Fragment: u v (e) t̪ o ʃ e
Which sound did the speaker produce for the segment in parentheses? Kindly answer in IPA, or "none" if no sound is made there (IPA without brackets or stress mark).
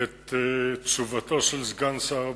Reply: a